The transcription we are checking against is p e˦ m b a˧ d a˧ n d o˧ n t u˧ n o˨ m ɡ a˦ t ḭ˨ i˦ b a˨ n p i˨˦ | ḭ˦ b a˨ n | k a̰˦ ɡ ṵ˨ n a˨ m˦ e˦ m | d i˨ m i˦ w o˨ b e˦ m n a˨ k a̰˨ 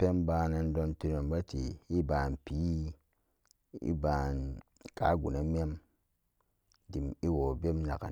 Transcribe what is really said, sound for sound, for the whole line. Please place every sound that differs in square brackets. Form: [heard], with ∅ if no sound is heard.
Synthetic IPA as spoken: p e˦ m b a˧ [n] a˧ n d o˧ n t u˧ n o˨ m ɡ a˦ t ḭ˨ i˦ b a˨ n p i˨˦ | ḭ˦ b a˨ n | k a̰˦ ɡ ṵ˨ n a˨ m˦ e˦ m | d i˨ m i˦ w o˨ b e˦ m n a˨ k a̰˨